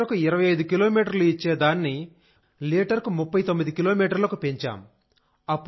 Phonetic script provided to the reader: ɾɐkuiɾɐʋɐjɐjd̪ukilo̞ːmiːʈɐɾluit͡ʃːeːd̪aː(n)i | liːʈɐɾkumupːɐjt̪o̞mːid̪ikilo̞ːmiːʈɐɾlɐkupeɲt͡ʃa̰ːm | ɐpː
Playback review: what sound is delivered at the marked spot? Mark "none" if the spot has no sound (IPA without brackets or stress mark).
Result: nː